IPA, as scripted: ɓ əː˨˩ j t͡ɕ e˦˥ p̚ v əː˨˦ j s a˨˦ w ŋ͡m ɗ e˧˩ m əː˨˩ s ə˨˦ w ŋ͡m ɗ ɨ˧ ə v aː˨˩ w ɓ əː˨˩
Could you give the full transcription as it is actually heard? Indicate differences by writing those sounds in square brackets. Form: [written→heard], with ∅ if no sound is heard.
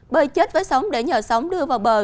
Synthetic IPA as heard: ɓ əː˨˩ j t͡ɕ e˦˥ [p̚→t̚] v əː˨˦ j s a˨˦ w ŋ͡m ɗ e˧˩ [m→ɲ] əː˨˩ s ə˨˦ w ŋ͡m ɗ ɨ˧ ə v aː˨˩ w ɓ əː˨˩